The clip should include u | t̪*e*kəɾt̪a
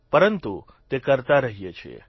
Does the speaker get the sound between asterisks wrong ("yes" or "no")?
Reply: no